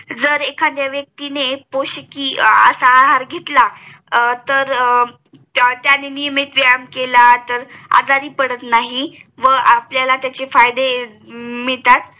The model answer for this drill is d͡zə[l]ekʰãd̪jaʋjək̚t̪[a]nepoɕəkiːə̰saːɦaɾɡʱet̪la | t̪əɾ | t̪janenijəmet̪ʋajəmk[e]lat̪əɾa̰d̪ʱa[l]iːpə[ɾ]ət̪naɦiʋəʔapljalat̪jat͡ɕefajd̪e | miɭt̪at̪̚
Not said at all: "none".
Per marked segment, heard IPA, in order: ɾ, i, e, ɾ, ɽ

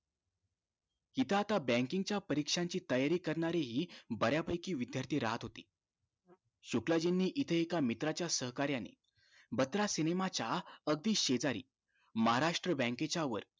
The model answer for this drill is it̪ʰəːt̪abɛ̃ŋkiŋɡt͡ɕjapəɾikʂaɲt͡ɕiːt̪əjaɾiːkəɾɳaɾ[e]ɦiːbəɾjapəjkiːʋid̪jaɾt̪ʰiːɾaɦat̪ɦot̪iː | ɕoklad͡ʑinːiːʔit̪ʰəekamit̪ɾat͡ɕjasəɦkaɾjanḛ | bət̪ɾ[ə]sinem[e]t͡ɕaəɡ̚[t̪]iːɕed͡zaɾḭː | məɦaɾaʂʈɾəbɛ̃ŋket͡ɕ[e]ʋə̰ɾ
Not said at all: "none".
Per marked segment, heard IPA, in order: e, a, a, d̪, a

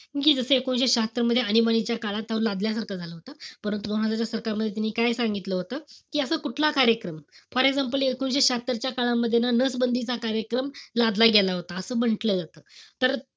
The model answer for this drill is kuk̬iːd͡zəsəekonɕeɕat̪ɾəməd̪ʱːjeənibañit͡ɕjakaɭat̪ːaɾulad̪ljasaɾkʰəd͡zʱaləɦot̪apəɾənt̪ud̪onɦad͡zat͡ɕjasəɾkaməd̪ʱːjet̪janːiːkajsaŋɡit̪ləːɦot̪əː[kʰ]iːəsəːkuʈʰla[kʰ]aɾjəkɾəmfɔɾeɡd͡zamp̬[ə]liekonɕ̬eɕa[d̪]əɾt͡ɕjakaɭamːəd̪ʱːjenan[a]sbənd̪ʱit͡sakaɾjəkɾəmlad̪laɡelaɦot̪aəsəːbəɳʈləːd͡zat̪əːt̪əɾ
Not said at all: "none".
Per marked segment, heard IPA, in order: k, k, ə, t̪, ə

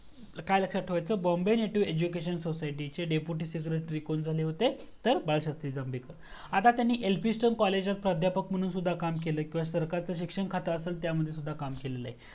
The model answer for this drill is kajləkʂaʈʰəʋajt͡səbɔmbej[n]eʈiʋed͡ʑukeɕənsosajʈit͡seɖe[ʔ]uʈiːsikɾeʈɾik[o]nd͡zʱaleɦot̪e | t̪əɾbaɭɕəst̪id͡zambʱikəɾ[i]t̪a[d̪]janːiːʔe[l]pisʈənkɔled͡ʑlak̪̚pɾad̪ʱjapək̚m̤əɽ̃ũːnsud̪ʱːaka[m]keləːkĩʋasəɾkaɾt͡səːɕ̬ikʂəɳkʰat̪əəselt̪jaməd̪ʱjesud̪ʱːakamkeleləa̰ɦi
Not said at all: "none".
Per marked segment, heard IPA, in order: n, p, o, a, t̪, l, m

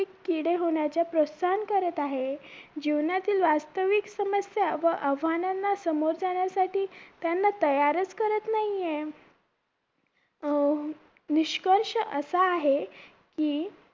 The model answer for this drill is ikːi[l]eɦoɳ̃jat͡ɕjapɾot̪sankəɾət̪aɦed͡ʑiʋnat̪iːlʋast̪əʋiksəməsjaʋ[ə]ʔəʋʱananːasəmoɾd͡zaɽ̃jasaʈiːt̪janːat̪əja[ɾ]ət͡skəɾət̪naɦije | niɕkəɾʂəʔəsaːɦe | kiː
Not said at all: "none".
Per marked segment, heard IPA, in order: ɽ, ə, ɾ

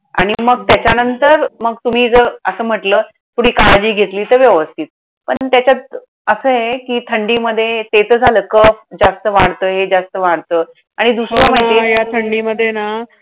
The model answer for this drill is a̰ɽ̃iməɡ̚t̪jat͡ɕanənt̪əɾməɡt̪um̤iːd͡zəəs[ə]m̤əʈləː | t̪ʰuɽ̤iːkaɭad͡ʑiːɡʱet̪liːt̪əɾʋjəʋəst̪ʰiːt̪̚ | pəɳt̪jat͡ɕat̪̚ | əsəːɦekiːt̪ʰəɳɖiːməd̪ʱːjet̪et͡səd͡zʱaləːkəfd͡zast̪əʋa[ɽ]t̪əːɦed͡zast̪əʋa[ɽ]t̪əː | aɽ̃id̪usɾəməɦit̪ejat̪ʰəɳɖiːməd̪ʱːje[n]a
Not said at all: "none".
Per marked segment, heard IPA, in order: əː, ɽ, ɽ, n

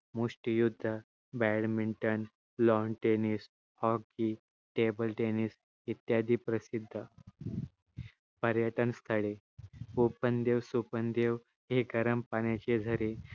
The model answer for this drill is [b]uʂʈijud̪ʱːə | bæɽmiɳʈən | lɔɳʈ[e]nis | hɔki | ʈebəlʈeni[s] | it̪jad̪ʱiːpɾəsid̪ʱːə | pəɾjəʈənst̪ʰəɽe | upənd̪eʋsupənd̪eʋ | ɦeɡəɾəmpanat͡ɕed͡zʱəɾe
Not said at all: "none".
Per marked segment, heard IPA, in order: m, e, s

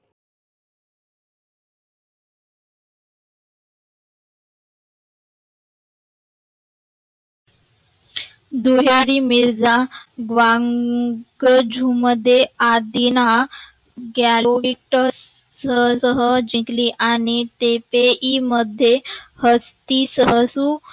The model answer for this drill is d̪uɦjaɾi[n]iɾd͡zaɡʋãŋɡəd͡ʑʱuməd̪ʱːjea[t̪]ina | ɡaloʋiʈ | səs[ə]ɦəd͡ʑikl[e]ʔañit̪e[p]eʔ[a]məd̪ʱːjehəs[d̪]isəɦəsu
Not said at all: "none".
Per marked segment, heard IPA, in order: m, d̪, ə, i, p, i, t̪

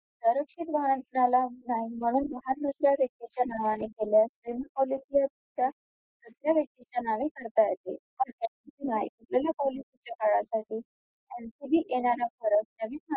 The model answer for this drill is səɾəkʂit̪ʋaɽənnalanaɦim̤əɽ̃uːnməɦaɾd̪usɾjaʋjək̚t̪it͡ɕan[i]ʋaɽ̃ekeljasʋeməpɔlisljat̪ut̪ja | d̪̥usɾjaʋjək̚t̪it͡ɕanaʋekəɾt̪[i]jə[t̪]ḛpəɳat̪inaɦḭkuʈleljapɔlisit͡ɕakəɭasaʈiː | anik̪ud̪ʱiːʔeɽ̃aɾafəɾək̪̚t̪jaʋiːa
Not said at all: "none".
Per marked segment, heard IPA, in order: a, a, t̪

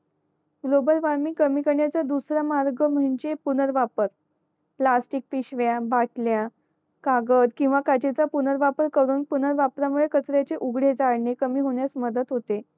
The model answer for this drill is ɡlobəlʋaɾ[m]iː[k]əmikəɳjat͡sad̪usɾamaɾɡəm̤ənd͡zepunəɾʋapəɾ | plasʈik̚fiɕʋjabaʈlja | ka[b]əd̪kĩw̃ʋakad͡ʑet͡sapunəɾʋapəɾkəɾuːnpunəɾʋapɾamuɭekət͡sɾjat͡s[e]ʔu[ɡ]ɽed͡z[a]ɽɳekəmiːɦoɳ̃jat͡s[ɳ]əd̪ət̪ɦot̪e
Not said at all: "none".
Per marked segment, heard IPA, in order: m, k, ɡ, e, ɡ, a, m

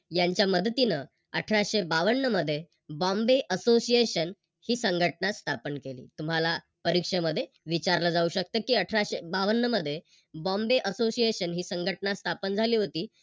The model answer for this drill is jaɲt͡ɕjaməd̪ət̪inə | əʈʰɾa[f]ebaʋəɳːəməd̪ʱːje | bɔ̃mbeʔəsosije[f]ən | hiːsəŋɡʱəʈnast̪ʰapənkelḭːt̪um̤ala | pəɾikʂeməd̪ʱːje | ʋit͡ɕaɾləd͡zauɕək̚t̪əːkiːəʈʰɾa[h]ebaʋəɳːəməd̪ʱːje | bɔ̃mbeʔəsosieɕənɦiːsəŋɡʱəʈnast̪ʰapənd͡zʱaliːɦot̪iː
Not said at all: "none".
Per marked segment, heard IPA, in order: ɕ, ɕ, ɕ

